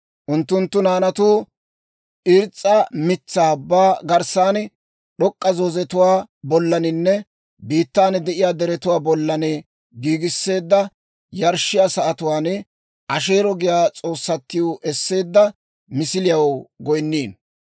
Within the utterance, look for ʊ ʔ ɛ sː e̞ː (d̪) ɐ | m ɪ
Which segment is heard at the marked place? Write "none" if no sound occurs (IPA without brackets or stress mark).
d̪ː